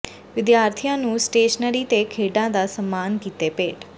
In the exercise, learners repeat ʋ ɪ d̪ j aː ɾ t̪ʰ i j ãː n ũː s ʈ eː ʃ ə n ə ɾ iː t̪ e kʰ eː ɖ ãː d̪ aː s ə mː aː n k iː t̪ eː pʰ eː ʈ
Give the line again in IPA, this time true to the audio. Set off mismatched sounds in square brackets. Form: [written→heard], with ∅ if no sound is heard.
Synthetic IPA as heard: ʋ ɪ d̪ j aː ɾ t̪ʰ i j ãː n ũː s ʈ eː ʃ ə n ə ɾ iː t̪ e kʰ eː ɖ ãː d̪ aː s ə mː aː n k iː t̪ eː [pʰ→p] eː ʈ

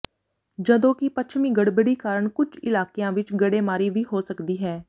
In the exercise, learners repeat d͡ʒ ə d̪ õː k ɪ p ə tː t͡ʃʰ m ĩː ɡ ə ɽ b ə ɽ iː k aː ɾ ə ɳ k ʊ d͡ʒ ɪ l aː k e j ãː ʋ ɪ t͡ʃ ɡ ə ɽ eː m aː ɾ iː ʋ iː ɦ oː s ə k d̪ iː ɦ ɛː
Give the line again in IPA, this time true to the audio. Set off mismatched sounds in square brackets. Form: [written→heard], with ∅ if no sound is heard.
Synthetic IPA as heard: d͡ʒ ə d̪ õː k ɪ p ə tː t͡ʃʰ m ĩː ɡ ə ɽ b ə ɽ iː k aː ɾ ə ɳ k ʊ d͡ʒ ɪ l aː k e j ãː ʋ ɪ t͡ʃ ɡ ə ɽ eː m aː ɾ iː ʋ iː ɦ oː s ə k d̪ iː ɦ ɛː

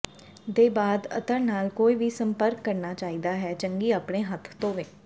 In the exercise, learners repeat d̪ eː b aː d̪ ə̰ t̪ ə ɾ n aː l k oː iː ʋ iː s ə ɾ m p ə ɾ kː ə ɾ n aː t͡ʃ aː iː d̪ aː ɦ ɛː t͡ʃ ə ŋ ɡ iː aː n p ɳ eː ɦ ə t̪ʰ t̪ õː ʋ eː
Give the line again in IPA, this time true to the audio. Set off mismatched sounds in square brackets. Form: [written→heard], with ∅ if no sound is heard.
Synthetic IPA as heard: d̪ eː b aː d̪ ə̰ t̪ ə ɾ n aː l k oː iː ʋ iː s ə [ɾ→∅] m p ə ɾ kː ə ɾ n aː t͡ʃ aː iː d̪ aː ɦ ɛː t͡ʃ ə ŋ ɡ iː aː [n→∅] p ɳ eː ɦ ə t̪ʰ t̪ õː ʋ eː

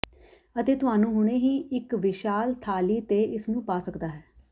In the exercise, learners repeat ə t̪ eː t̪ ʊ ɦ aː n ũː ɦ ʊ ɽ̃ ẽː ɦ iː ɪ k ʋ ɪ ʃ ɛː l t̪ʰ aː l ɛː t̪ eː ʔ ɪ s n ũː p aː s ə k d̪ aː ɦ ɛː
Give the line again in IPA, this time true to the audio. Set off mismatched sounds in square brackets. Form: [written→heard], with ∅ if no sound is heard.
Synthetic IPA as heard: ə t̪ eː t̪ ʊ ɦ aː n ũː ɦ ʊ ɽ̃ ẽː ɦ iː ɪ k ʋ ɪ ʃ [ɛː→aː] l t̪ʰ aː l [ɛː→iː] t̪ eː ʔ ɪ s n ũː p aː s ə k d̪ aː ɦ ɛː

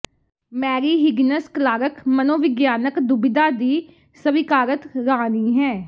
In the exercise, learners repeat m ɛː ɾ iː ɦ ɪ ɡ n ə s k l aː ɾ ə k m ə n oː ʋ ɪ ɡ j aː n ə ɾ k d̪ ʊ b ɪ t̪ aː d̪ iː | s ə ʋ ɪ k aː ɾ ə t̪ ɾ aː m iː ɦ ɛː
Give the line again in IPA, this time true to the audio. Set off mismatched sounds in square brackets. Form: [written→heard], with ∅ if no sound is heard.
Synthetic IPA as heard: m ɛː ɾ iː ɦ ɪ ɡ n ə s k l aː ɾ ə k m ə n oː ʋ ɪ ɡ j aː n ə [ɾ→∅] k d̪ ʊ b ɪ [t̪→d̪] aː d̪ iː | s ə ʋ ɪ k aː ɾ ə t̪ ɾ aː [m→n] iː ɦ ɛː

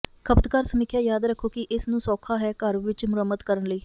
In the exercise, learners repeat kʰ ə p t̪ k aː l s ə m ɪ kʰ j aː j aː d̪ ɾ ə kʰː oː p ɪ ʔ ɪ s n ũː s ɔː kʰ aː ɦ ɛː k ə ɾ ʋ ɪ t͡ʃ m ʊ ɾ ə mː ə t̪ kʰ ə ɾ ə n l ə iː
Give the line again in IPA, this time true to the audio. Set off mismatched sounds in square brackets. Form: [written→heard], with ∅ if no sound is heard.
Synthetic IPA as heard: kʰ ə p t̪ k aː [l→ɾ] s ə m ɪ kʰ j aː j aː d̪ ɾ ə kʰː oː [p→k] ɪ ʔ ɪ s n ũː s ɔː kʰ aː ɦ ɛː k ə ɾ ʋ ɪ t͡ʃ m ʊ ɾ ə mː ə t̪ [kʰ→k] ə ɾ ə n l ə iː

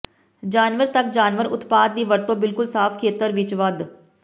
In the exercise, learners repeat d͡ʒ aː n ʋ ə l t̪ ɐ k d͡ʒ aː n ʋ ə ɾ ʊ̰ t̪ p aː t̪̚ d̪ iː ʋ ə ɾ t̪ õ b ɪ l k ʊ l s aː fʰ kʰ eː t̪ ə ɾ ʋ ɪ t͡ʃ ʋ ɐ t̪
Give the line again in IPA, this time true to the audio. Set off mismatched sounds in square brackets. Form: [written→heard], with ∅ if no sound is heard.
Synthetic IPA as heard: d͡ʒ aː n ʋ ə [l→ɾ] t̪ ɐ k d͡ʒ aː n ʋ ə ɾ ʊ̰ t̪ p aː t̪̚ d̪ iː ʋ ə ɾ t̪ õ b ɪ l k ʊ l s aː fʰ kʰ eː t̪ ə ɾ ʋ ɪ t͡ʃ ʋ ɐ [t̪→d̪]

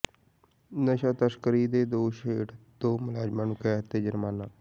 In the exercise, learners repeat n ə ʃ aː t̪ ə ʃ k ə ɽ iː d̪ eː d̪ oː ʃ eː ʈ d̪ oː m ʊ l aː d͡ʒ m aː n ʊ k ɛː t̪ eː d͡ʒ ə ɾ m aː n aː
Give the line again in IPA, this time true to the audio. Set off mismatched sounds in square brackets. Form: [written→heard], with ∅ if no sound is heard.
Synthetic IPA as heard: n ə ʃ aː t̪ ə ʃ k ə [ɽ→ɾ] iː d̪ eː d̪ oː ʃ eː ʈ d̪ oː m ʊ l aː d͡ʒ m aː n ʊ k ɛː t̪ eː d͡ʒ ə ɾ m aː n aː

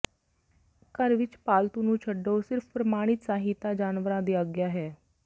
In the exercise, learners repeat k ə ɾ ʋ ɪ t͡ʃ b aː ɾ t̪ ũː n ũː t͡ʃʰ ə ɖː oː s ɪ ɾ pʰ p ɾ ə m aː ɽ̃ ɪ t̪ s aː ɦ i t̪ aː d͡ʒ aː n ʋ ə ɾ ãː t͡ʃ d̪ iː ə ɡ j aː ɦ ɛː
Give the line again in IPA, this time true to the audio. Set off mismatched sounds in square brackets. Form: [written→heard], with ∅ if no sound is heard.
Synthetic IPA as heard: k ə ɾ ʋ ɪ t͡ʃ [b→p] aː [ɾ→l] t̪ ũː n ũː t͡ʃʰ ə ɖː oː s ɪ ɾ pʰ p ɾ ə m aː ɽ̃ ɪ t̪ s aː ɦ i t̪ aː d͡ʒ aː n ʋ ə ɾ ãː [t͡ʃ→∅] d̪ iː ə ɡ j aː ɦ ɛː

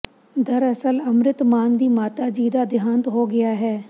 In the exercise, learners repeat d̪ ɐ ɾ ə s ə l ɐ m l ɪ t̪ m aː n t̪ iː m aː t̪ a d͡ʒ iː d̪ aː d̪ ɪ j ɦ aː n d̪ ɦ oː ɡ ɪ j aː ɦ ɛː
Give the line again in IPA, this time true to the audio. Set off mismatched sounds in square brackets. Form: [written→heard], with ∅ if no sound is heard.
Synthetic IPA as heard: d̪ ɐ ɾ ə s ə l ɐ m [l→ɾ] ɪ t̪ m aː n [t̪→d̪] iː m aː t̪ a d͡ʒ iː d̪ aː d̪ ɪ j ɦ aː n [d̪→t̪] ɦ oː ɡ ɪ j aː ɦ ɛː

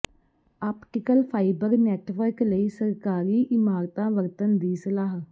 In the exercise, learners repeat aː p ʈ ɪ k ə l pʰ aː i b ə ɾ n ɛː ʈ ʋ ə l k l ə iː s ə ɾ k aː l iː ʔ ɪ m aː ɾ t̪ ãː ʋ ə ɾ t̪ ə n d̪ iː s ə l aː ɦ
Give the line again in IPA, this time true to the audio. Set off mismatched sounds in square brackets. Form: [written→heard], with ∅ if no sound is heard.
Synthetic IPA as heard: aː p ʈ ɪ k ə l pʰ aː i b ə ɾ n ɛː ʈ ʋ ə [l→ɾ] k l ə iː s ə ɾ k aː [l→ɾ] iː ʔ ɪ m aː ɾ t̪ ãː ʋ ə ɾ t̪ ə n d̪ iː s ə l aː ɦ

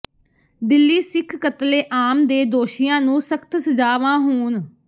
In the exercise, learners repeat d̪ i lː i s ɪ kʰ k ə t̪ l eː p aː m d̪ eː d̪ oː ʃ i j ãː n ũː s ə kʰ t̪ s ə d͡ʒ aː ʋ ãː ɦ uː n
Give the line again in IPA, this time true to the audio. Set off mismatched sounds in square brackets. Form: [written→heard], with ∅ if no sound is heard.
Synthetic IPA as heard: d̪ [i→ɪ] lː [i→iː] s ɪ kʰ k ə t̪ l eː [p→ʔ] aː m d̪ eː d̪ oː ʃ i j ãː n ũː s ə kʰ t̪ s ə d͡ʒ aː ʋ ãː ɦ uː n

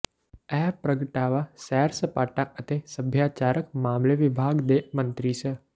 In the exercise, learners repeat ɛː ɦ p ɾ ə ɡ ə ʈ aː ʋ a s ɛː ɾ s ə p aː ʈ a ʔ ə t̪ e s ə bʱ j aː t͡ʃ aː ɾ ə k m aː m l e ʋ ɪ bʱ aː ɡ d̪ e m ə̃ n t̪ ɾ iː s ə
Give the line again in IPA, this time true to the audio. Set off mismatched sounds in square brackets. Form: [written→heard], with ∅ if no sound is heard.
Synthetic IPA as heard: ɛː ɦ p ɾ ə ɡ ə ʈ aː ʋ a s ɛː ɾ s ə p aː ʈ a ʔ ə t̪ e s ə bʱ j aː t͡ʃ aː ɾ ə k m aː m l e ʋ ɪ bʱ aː ɡ d̪ e m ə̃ n t̪ ɾ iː s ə

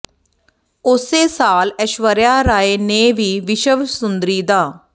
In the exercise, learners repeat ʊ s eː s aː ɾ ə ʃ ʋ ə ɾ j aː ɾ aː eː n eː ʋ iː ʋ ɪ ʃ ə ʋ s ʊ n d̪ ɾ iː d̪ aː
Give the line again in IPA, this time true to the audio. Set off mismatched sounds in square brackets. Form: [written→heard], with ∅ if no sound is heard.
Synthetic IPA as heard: ʊ s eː s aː [ɾ→l] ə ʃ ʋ ə ɾ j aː ɾ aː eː n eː ʋ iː ʋ ɪ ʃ ə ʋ s ʊ n d̪ ɾ iː d̪ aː

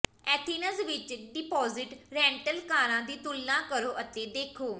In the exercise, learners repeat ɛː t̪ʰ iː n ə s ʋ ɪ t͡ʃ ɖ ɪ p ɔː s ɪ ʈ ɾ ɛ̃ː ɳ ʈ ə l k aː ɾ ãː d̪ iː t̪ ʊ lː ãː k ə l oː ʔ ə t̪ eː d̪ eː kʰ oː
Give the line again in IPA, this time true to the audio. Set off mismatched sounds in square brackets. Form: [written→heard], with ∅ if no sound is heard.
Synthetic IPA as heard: ɛː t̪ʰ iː n ə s ʋ ɪ t͡ʃ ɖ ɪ p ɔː [s→z] ɪ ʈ ɾ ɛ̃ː ɳ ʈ ə l k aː ɾ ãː d̪ iː t̪ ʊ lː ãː k ə [l→ɾ] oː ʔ ə t̪ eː d̪ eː kʰ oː

